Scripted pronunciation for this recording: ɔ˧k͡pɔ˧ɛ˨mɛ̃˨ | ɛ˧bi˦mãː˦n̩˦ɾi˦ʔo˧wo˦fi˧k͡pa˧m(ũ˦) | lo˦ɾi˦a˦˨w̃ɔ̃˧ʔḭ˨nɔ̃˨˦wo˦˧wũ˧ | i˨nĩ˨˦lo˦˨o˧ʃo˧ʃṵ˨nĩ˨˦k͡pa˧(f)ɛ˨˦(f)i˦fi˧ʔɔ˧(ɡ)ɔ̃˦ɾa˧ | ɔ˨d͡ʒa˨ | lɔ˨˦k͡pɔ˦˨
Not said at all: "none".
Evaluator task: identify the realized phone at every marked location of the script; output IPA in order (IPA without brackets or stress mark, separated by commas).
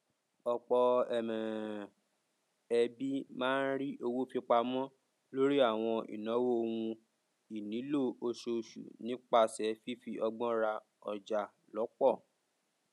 ɔ̃˦, s, f, ɡ͡b